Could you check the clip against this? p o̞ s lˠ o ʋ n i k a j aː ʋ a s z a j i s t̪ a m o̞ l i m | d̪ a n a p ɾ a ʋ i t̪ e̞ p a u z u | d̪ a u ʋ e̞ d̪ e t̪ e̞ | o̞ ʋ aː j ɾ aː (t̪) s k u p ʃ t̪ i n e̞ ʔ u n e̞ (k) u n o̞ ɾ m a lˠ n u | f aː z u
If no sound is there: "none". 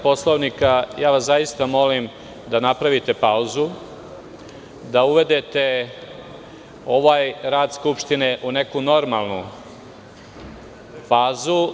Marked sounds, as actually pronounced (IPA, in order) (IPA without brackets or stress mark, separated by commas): d̪, k